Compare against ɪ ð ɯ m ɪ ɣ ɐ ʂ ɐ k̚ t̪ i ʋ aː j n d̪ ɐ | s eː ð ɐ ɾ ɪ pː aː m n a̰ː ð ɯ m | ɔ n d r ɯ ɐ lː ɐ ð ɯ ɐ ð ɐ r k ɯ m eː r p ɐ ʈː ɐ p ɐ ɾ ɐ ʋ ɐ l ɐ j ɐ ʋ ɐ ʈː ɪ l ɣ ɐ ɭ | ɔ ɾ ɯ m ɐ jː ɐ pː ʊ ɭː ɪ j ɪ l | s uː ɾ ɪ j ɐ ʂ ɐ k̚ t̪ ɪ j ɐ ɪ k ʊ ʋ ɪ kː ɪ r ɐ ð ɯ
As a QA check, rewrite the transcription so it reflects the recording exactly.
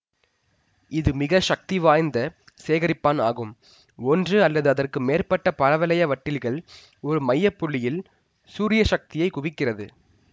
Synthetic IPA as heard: ɪ ð ɯ m ɪ ɣ ɐ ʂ ɐ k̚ t̪ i ʋ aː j n d̪ ɐ | s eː ɣ ɐ ɾ ɪ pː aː n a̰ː ɣ ɯ m | ɔ n d r ɯ ɐ lː ɐ ð ɯ ɐ ð ɐ r k ɯ m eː r p ɐ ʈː ɐ p ɐ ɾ ɐ ʋ ɐ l ɐ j ɐ ʋ ɐ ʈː ɪ l ɣ ɐ ɭ | ɔ ɾ ɯ m ɐ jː ɐ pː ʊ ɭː ɪ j ɪ l | s uː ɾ ɪ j ɐ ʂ ɐ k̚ t̪ ɪ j ɐ ɪ k ʊ ʋ ɪ kː ɪ r ɐ ð ɯ